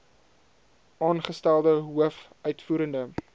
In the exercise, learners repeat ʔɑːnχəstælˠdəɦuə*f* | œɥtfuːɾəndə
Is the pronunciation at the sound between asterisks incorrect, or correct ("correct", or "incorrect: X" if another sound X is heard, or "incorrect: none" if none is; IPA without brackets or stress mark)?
correct